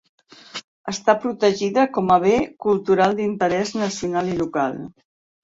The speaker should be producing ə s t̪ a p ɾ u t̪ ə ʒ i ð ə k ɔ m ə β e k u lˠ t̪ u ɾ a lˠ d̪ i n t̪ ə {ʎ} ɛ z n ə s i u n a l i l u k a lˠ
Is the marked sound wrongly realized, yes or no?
yes